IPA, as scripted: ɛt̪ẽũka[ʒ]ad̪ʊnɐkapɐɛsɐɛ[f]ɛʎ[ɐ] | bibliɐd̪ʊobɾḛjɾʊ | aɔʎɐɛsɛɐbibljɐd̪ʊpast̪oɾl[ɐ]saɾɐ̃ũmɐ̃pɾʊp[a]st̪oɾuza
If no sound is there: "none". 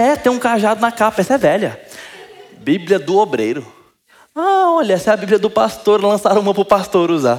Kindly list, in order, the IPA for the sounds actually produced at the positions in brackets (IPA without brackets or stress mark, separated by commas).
ʒ, v, ɐ, ɐ̃, a